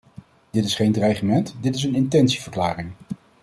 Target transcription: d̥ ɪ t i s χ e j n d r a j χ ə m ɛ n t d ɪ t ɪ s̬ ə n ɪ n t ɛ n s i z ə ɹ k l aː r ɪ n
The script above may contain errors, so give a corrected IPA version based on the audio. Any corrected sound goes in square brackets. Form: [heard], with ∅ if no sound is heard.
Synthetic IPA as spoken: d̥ ɪ t [ɪ] s χ e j n d r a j χ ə m ɛ n t d ɪ t ɪ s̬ ə n ɪ n t ɛ n s i [v] ə ɹ k l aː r ɪ [ŋ]

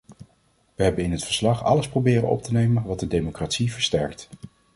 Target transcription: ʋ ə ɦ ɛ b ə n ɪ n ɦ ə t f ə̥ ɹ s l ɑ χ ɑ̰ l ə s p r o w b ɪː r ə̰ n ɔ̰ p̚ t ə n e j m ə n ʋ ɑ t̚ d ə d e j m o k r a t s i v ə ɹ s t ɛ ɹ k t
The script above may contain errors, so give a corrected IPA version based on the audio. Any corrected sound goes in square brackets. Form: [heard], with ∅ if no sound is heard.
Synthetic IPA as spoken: ʋ ə ɦ ɛ b ə n ɪ n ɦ ə t f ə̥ ɹ s l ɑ χ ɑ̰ l ə s p r o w b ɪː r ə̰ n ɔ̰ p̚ t ə n e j m ə n ʋ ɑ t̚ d ə d e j m o k r a t s i v ə ɹ s t ɛ ɹ k t

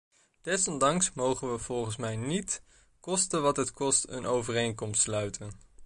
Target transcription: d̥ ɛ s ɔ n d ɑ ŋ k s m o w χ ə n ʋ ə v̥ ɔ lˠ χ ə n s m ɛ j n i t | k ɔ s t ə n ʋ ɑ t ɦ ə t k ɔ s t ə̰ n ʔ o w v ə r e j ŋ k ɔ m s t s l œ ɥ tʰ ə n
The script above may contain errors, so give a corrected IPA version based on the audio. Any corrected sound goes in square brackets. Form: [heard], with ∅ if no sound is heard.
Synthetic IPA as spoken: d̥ ɛ s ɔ n d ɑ ŋ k s m o w χ ə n ʋ ə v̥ ɔ lˠ χ ə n s m ɛ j n i t | k ɔ s t ə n ʋ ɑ t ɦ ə t k ɔ s t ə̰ n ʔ o w v ə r e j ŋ k ɔ m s t s l œ ɥ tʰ ə n

